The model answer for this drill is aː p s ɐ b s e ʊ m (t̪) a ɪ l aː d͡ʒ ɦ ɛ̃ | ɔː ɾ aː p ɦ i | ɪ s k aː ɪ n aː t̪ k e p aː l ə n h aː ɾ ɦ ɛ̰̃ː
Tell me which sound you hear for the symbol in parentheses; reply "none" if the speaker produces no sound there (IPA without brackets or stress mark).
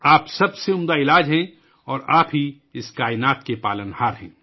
d̪